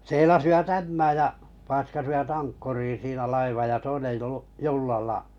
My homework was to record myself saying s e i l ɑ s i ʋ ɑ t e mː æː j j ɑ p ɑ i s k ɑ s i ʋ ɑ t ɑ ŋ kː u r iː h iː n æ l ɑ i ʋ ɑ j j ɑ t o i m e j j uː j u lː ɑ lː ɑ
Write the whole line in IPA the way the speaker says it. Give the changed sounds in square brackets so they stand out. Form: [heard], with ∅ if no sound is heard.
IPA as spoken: s e i l ɑ s i ʋ ɑ t [æ] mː æː j j ɑ p ɑ i s k ɑ s i ʋ ɑ t ɑ ŋ kː u r iː [s] iː n æ l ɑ i ʋ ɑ j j ɑ t o i [n] e j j uː j u lː ɑ lː ɑ

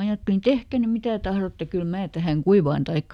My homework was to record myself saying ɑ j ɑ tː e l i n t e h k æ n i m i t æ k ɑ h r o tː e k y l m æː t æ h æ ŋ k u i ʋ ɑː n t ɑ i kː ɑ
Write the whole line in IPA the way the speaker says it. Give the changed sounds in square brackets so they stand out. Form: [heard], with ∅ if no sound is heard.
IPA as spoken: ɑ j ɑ tː e l i n t e h k æ n [y] m i t æ [t] ɑ h r o tː e k y l m æː t æ h æ ŋ k u i ʋ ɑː n t ɑ i kː ɑ

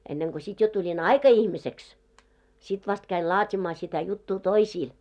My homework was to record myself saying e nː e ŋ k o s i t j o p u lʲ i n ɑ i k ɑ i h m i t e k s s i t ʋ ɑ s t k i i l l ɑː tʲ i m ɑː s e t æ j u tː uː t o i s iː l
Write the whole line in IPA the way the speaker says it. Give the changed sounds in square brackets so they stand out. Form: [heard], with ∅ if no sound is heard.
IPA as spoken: e nː e ŋ k o s i t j o [t] u lʲ i n ɑ i k ɑ i h m i [s] e k s s i t ʋ ɑ s t k [æ] i l l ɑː tʲ i m ɑː s [i] t æ j u tː uː t o i s iː l

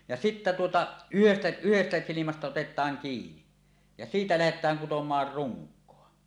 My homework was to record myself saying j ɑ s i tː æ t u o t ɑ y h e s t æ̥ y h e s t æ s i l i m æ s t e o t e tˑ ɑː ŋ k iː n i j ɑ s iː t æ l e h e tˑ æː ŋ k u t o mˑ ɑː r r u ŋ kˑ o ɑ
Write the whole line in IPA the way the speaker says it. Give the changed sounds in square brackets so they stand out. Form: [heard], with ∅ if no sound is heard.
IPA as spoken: j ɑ s i tː æ t u o t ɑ y h e s t æ̥ y h e s t æ s i l i m æ s t [æ] o t e tˑ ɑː ŋ k iː n i j ɑ s iː t æ l [æ] h e tˑ æː ŋ k u t o mˑ ɑː r r u ŋ kˑ o ɑ

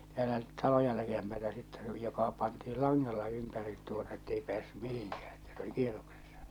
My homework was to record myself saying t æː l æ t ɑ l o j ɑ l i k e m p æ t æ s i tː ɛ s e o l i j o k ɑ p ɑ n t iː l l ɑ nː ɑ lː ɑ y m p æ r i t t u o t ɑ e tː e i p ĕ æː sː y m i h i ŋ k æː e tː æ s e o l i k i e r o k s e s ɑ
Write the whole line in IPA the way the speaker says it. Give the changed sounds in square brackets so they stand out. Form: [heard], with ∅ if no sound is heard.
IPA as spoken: t æː l æ t ɑ l o j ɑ l i k e m p æ t æ s i tː ɛ s e o l i j o k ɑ p ɑ n t iː l l ɑ [ŋː] ɑ lː ɑ y m p æ r i t t u o t ɑ e tː e i p ĕ æː sː y m i h i ŋ k æː e tː æ s e o l i k i e r o k s e [sː] ɑ

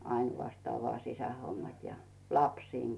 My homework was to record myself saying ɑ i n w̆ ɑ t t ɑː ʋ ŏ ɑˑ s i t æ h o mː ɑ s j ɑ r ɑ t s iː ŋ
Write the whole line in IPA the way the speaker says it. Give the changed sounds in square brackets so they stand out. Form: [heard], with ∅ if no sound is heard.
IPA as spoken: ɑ i n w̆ ɑ [s] t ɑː ʋ ŏ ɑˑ s i [s] æ h o mː ɑ [t] j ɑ [l] ɑ [p] s iː ŋ

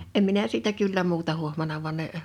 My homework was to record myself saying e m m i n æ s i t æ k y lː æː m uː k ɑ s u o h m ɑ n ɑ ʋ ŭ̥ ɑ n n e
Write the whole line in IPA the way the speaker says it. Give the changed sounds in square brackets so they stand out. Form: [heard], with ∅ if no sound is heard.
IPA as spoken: e m m i n æ s [iː] t æ k y lː [æ] m uː [t] ɑ [h] u o h m ɑ n ɑ ʋ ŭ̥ ɑ n n e

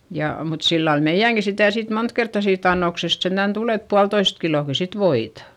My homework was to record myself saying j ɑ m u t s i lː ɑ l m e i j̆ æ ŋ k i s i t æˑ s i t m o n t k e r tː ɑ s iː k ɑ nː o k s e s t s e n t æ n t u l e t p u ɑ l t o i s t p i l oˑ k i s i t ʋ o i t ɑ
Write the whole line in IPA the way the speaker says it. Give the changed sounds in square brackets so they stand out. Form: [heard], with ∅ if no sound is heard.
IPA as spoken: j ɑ m u t s i lː ɑ l m e i j̆ æ ŋ k i s i t æˑ s i t m o n t k e r tː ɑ s iː [t] ɑ nː o k s e s t s e n t æ n t u l e t p u ɑ l t o i s t [k] i l oˑ k i s i t ʋ o i t ɑ

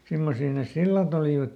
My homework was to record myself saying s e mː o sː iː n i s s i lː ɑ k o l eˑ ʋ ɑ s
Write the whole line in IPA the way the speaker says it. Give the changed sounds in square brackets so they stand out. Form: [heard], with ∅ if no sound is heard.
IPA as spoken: s [i] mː o [s] iː n [e] s s i lː ɑ [t] o l [iˑ] ʋ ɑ [t]

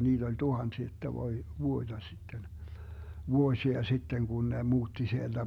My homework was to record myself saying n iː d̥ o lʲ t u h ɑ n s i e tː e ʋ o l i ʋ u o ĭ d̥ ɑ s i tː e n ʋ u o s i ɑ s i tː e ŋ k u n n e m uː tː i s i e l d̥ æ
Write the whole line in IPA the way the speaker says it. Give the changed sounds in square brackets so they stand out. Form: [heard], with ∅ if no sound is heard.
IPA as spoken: n iː d̥ o lʲ t u h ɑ n s i e tː [æ] ʋ o [∅] i ʋ u o ĭ d̥ ɑ s i tː e n ʋ u o s i ɑ s i tː e ŋ k u n n e m uː tː i s i e l d̥ æ

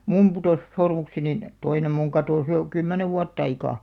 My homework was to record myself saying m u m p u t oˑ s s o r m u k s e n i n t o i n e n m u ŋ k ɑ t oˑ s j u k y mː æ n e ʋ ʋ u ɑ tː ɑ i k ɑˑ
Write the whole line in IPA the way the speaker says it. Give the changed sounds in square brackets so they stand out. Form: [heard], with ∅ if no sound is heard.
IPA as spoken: m u m p u t oˑ s s o r m u k s e n i n t o i n e [m] m u ŋ k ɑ t oˑ s j [o] k y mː æ n e ʋ ʋ u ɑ tː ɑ i k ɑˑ

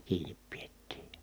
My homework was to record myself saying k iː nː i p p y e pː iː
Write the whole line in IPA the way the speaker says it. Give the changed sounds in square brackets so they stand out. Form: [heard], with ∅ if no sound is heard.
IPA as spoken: k iː [n] i p p [i] e [tː] iː

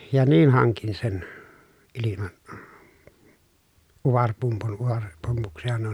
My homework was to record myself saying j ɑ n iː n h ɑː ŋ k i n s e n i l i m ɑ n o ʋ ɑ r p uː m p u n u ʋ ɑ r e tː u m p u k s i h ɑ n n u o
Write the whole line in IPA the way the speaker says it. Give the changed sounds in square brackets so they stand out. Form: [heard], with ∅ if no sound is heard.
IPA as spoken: j ɑ n iː n h [ɑ] ŋ k i n s e n i l i m ɑ n [u] ʋ ɑ r p [u] m p u n u ʋ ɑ r e [pː] u m p u k s i h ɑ n n u o

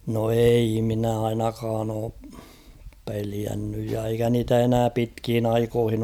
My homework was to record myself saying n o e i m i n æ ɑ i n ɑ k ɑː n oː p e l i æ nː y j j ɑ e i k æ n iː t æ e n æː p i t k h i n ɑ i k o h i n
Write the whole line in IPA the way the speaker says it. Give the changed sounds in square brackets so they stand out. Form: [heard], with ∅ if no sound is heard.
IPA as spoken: n o e i m i n æ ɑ i n ɑ k ɑː n oː p e l i æ nː y j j ɑ e i k æ n iː t æ e n æː p i t k h i n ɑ i k o h i n

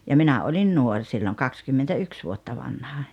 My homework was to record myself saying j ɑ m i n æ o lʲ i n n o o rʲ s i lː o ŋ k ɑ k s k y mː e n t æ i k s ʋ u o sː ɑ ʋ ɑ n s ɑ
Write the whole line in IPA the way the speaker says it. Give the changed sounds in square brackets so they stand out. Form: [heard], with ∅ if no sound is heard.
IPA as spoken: j ɑ m i n æ o lʲ i n n [u] o rʲ s i lː o ŋ k ɑ k s k y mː e n t æ [y] k s ʋ u o [tː] ɑ ʋ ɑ n [h] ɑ

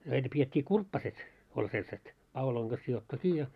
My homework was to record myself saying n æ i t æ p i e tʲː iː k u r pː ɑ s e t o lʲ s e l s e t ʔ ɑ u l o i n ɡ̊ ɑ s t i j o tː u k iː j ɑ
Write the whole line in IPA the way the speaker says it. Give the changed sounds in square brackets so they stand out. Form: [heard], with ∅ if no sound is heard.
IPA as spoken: n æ i t æ p i e tʲː iː k u r pː ɑ s e t o lʲ s e l s e t [p] ɑ u l o i [ŋ] ɡ̊ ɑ s [s] i j o tː u k iː j ɑ

